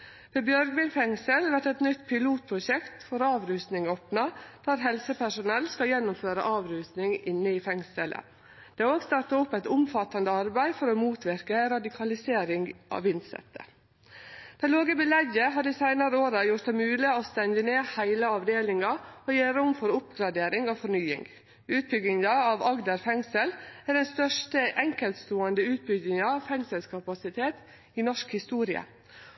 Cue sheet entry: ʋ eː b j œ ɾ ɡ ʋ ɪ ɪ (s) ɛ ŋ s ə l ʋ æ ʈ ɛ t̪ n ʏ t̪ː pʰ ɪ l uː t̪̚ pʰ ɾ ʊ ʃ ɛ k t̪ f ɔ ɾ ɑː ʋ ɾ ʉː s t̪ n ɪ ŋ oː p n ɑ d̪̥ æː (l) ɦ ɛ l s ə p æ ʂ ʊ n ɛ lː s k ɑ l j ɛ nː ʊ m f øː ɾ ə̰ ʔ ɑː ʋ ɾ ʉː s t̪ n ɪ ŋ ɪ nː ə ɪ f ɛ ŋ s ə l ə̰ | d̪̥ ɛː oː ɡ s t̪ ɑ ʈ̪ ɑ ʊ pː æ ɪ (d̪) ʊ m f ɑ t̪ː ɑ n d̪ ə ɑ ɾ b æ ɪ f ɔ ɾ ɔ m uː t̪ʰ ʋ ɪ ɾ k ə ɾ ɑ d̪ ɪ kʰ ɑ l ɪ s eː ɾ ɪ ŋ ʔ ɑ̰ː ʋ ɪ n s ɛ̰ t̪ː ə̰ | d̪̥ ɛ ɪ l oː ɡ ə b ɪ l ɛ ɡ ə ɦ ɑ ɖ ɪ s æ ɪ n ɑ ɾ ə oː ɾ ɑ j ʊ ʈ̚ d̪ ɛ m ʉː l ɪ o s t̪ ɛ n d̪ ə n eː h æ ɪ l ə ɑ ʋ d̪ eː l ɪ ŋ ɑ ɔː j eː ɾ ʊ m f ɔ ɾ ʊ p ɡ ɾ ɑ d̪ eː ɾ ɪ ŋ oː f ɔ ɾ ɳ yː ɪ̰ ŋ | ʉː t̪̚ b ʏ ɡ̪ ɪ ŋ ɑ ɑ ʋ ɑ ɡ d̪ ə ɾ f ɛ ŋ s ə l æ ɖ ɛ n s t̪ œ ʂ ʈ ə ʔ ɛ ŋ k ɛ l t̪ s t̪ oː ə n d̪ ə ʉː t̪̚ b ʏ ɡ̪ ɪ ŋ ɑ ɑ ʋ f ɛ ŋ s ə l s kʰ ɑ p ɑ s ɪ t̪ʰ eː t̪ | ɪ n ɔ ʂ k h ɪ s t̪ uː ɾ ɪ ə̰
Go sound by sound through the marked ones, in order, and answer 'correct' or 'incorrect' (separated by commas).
incorrect, incorrect, incorrect